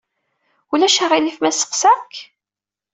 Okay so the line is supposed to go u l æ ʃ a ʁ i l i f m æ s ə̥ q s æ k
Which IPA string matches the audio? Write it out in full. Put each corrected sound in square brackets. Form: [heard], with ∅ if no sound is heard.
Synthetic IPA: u l æ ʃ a ʁ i l i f m æ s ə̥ q s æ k